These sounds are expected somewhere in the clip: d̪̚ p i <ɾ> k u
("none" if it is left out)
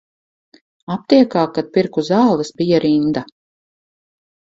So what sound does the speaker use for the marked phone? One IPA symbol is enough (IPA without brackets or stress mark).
ɾ